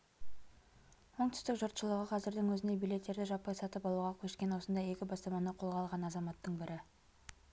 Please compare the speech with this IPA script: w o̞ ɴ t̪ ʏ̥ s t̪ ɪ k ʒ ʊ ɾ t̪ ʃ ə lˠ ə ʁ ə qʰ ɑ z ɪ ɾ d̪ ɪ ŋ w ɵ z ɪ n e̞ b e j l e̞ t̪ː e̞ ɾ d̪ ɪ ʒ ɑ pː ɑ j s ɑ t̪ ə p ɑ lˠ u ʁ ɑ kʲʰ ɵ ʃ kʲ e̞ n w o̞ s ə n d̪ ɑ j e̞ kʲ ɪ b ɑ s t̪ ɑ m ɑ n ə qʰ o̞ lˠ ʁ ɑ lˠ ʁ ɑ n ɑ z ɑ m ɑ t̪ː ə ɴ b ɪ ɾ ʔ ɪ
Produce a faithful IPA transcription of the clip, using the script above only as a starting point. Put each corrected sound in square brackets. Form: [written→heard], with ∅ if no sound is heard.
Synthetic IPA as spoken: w o̞ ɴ t̪ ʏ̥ s t̪ ɪ k ʒ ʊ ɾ t̪ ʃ ə lˠ ə ʁ ə qʰ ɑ z ɪ ɾ d̪ ɪ ŋ w ɵ z ɪ n e̞ b [e→i] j l e̞ t̪ː e̞ ɾ d̪ ɪ ʒ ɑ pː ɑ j s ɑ t̪ ə p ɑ lˠ u ʁ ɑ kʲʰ ɵ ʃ kʲ e̞ n w o̞ s ə n d̪ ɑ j e̞ kʲ ɪ b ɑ s t̪ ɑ m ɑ n ə qʰ o̞ lˠ ʁ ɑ lˠ ʁ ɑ n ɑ z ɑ m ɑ t̪ː ə ɴ b ɪ ɾ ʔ ɪ